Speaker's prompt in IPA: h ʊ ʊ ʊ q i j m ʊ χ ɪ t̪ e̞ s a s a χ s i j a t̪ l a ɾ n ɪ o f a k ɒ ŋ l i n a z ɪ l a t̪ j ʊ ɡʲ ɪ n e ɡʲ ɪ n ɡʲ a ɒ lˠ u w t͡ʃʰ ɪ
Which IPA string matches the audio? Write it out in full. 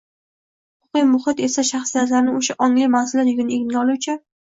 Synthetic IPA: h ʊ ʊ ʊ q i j m ʊ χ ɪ t̪ e̞ s a ʃ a χ s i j a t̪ l a ɾ n ɪ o ʃ a ʔ ɒ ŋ l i m a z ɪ l a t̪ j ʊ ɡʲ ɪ n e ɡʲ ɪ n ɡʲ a ɒ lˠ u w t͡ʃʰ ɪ